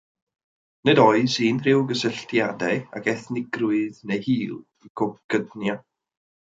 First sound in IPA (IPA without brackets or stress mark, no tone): n